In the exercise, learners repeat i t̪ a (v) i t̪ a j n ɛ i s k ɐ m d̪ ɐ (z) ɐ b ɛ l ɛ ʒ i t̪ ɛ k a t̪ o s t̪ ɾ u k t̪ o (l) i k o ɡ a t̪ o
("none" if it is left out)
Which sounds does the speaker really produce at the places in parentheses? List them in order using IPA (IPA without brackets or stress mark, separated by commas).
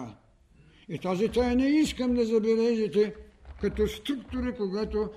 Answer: z, z, ɾ